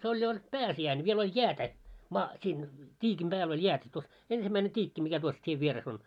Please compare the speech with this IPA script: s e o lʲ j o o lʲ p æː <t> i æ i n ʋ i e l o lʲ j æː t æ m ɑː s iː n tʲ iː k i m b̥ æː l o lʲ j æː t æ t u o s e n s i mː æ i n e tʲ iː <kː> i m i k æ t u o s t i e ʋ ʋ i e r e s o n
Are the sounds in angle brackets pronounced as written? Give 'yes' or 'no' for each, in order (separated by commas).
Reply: no, yes